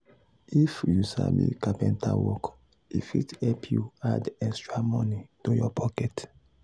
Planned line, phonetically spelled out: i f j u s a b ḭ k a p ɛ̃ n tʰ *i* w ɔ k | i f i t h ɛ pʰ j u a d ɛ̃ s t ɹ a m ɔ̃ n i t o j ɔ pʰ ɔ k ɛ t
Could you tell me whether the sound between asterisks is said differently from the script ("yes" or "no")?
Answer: yes